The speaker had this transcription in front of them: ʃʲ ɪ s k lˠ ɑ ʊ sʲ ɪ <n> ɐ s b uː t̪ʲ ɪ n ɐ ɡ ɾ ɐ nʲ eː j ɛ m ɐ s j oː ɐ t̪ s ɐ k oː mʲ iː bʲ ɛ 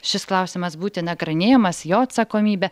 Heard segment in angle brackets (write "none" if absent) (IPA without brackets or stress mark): m